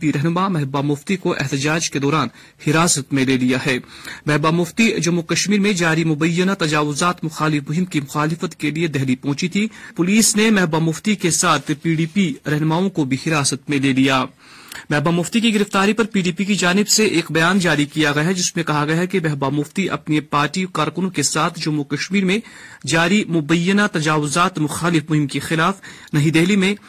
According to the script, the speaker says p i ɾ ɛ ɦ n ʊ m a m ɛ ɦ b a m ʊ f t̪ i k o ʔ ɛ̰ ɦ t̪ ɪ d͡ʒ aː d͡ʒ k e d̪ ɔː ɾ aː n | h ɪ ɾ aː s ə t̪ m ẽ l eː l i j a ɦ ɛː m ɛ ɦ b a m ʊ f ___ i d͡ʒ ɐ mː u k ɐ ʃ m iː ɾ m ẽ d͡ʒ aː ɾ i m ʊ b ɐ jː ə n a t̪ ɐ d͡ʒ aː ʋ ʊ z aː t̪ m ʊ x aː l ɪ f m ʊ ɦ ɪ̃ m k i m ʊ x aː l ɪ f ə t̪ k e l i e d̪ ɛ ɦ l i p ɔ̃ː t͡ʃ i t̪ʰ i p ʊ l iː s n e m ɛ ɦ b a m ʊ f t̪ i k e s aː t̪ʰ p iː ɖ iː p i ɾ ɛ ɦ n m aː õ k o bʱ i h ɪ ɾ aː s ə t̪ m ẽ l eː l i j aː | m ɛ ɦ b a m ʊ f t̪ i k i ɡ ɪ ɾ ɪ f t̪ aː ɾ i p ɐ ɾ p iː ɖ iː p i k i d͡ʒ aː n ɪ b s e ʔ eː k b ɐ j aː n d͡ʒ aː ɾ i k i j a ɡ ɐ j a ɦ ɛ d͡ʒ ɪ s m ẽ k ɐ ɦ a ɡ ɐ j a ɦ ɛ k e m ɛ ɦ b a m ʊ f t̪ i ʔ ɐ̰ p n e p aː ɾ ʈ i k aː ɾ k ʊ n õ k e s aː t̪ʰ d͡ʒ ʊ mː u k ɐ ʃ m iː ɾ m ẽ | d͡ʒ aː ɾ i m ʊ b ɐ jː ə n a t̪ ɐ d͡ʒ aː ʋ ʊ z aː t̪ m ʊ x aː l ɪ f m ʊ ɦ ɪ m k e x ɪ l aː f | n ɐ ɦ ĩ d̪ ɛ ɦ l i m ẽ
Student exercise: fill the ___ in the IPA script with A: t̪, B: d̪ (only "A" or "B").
A